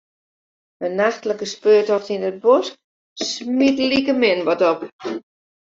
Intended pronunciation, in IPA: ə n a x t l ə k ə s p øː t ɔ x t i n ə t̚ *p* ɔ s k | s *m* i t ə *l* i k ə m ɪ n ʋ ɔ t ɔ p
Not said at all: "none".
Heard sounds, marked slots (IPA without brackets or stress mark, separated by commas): b, m, l